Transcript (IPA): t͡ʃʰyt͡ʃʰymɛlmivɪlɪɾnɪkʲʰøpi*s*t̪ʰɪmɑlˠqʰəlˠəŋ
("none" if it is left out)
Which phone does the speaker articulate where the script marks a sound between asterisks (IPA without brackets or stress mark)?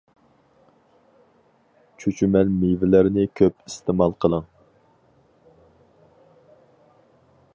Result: s